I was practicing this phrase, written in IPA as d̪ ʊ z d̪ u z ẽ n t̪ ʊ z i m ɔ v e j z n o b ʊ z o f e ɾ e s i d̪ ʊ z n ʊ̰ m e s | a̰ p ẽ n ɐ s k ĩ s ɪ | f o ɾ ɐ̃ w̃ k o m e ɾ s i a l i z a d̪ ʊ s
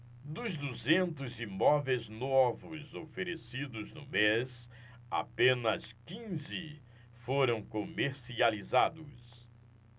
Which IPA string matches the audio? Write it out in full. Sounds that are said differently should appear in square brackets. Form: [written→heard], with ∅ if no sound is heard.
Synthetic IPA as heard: d̪ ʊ z d̪ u z ẽ n t̪ ʊ z i m ɔ v e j z n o [b→v] ʊ z o f e ɾ e s i d̪ ʊ z n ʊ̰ m e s | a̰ p ẽ n ɐ s k ĩ [s→z] ɪ | f o ɾ ɐ̃ w̃ k o m e ɾ s i a l i z a d̪ ʊ s